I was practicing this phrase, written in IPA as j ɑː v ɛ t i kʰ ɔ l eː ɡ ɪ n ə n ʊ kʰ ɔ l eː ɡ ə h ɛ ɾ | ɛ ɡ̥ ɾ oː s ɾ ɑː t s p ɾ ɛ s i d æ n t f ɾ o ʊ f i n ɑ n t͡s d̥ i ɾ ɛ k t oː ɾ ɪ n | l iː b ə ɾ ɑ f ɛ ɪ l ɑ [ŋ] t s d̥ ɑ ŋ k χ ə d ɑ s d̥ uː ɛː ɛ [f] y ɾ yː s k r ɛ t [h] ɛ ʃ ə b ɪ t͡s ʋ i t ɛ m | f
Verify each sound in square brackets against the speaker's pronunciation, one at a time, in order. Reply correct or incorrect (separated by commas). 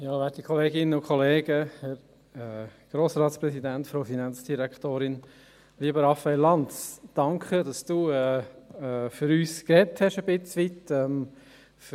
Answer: incorrect, correct, correct